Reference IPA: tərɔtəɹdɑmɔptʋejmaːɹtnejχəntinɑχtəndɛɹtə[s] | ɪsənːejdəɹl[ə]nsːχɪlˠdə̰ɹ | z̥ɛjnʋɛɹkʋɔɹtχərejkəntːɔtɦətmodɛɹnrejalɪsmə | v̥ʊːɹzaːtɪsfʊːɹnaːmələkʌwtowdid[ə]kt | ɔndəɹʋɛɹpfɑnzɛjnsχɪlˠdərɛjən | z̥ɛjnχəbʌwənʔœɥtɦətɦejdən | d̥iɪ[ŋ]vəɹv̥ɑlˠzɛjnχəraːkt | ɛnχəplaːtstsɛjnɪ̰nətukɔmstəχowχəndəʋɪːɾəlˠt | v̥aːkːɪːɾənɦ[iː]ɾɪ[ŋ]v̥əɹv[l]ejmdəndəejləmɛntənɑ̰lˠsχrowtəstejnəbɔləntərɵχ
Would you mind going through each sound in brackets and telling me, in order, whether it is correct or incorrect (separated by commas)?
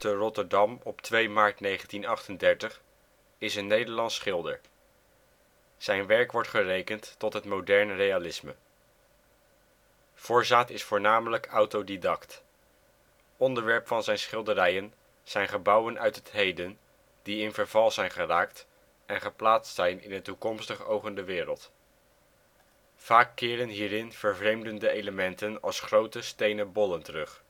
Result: incorrect, incorrect, incorrect, incorrect, correct, incorrect, incorrect